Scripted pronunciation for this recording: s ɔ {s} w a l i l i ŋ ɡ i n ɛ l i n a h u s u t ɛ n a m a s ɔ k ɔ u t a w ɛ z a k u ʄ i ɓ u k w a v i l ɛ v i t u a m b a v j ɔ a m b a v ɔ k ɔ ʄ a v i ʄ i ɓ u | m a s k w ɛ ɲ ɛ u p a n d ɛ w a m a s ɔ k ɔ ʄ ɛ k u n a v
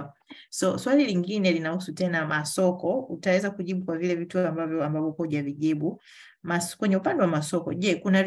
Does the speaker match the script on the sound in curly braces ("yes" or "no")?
yes